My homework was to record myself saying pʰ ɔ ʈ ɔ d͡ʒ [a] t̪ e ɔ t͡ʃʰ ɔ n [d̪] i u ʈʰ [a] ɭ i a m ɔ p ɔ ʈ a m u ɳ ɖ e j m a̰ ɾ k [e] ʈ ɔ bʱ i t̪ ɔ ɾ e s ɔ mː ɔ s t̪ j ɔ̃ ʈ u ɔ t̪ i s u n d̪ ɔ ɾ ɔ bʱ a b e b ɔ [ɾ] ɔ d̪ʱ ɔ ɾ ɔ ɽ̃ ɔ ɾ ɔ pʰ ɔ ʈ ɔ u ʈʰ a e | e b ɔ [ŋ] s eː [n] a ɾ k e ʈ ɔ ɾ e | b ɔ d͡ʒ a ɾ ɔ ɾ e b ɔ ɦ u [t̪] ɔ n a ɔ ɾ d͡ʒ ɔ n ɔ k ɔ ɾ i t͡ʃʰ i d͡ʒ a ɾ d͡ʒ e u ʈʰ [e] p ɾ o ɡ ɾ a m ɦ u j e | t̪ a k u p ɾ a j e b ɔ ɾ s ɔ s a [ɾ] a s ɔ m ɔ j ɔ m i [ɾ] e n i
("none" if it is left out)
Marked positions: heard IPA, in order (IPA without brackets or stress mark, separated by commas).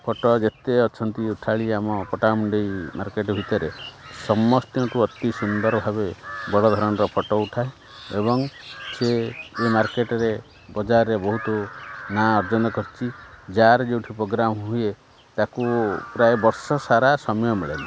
e, t̪, a, e, ɽ, ŋ, m, t̪, i, ɾ, ɭ